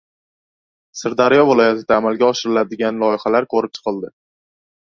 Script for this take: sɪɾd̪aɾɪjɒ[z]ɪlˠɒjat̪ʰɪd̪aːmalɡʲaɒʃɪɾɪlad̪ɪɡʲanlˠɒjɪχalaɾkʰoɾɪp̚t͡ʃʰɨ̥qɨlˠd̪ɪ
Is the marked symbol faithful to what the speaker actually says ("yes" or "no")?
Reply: no